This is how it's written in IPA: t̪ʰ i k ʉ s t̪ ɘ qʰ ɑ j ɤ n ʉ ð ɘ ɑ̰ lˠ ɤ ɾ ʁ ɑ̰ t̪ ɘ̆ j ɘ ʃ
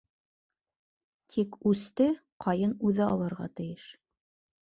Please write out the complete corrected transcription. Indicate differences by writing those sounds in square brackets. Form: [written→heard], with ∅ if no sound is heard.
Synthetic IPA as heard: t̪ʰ i k ʉ s t̪ ɘ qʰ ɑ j ɤ n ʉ ð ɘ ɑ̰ lˠ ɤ ɾ ʁ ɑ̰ t̪ ɘ̆ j ɘ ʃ